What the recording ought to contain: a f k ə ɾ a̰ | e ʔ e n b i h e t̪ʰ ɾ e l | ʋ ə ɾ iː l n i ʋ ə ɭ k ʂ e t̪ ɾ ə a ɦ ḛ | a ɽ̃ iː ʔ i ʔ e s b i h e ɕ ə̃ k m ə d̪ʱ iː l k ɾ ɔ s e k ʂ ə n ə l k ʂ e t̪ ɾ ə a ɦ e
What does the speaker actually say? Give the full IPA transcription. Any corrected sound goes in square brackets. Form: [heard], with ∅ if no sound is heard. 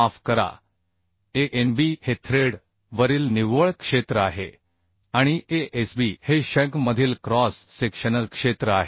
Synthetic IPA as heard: a f k ə ɾ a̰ | e ʔ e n b i h e t̪ʰ ɾ e [ɽ] | ʋ ə ɾ iː l n i ʋ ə ɭ k ʂ e t̪ ɾ ə a ɦ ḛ | a ɽ̃ [i] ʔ [e] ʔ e s b i h e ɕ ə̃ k m ə d̪ʱ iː l k ɾ ɔ [sː] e k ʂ ə n ə l k ʂ e t̪ ɾ ə a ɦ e